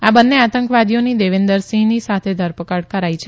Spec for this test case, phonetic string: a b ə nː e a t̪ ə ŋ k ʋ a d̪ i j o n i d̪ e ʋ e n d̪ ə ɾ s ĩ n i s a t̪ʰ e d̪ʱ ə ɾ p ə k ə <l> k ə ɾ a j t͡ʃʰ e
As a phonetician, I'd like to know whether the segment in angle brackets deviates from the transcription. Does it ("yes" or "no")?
yes